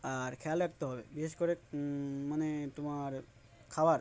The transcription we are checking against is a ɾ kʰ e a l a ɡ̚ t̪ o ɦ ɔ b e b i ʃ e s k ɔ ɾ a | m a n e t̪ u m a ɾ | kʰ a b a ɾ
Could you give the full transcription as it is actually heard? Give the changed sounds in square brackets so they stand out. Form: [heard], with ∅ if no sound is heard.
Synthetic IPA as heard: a ɾ kʰ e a l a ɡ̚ t̪ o ɦ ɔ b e b i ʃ e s k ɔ ɾ [e] | m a n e t̪ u m a ɾ | kʰ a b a ɾ